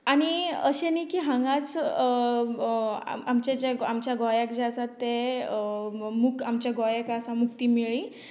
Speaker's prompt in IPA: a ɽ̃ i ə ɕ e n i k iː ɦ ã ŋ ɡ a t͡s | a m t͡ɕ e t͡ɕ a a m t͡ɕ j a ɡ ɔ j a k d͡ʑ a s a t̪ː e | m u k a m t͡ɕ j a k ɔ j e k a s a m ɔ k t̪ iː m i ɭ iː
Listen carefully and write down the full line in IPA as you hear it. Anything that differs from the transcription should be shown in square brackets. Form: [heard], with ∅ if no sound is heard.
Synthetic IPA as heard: a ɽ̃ i ə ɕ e n i k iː ɦ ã ŋ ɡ a t͡s | a m t͡ɕ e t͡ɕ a a m t͡ɕ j a ɡ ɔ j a k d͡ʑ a s a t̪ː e | m u k a m t͡ɕ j a [ɡ] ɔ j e k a s a m [u] k t̪ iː m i ɭ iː